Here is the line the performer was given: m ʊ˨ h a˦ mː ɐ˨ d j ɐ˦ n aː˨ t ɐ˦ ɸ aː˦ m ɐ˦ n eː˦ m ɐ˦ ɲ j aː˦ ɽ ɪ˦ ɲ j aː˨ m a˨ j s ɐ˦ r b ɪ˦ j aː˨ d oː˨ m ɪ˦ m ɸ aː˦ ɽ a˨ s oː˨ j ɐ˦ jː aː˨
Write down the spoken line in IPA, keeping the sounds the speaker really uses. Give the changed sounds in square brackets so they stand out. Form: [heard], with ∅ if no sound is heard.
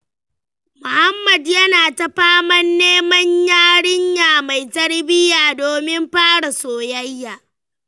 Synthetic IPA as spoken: m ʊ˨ h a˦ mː ɐ˨ d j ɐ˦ n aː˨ t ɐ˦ ɸ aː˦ m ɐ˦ [nː] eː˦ m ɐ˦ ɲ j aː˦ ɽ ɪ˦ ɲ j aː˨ m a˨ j [t] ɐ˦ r b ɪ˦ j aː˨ d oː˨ m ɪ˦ m ɸ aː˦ ɽ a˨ s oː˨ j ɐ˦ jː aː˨